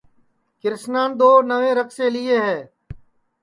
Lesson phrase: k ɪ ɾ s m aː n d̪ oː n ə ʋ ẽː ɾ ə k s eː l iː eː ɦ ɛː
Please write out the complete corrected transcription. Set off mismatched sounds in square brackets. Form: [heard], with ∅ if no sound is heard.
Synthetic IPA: k ɪ ɾ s [n] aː n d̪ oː n ə ʋ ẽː ɾ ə k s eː l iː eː ɦ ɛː